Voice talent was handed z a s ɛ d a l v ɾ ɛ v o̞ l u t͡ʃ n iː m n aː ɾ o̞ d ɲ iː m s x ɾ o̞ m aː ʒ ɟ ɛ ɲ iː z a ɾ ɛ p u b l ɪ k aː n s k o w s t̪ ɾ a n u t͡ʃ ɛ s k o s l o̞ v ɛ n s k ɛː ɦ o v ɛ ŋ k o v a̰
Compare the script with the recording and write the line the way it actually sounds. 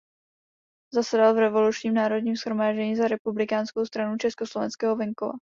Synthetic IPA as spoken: z a s ɛ d a l v ɾ ɛ v o̞ l u t͡ʃ ɲ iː m n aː ɾ o̞ d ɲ iː m s x ɾ o̞ m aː ʒ ɟ ɛ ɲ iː z a ɾ ɛ p u b l ɪ k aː n s k o w s t̪ ɾ a n u t͡ʃ ɛ s k o s l o̞ v ɛ n s k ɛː ɦ o v ɛ ŋ k o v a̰